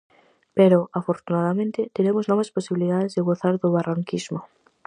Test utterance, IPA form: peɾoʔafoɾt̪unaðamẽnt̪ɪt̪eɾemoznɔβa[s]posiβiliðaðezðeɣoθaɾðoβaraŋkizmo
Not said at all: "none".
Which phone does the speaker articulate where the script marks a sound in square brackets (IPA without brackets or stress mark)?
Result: s